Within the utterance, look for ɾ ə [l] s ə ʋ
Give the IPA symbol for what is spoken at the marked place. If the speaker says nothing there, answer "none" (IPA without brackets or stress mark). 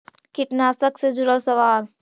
l